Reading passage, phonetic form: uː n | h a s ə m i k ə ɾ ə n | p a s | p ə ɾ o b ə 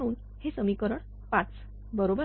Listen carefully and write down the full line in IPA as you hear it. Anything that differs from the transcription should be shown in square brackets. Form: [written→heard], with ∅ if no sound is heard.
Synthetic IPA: uː n | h [a→e] s ə m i k ə ɾ ə [n→ɳ] | p a [s→t͡s] | [p→b] ə ɾ o b ə